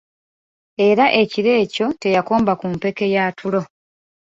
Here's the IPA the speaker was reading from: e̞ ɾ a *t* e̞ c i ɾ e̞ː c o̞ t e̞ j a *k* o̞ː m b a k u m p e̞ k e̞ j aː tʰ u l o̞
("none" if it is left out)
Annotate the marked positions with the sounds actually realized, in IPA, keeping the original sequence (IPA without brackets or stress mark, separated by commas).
ʔ, k